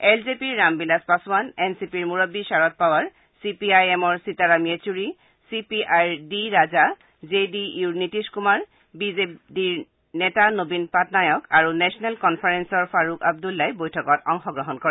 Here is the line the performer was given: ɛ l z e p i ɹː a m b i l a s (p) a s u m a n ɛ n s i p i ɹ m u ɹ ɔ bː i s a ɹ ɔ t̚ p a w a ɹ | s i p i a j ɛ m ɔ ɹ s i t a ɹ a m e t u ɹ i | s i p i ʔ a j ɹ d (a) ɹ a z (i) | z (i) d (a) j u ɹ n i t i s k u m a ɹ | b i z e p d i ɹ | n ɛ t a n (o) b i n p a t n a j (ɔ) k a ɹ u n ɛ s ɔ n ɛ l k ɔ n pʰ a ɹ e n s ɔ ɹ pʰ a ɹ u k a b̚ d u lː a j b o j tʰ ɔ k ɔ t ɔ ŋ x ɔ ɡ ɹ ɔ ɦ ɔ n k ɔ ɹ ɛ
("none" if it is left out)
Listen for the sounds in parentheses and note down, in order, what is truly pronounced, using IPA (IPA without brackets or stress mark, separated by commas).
p, i, a, e, i, o, ɔ